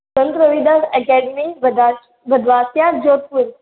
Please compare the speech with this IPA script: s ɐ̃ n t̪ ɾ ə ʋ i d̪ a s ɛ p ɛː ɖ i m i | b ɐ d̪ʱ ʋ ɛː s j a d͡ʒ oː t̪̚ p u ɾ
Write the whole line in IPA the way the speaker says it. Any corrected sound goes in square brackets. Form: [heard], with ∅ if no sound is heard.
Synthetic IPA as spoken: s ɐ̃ n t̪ ɾ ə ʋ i d̪ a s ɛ [k] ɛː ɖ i m i | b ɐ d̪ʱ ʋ [aː] s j a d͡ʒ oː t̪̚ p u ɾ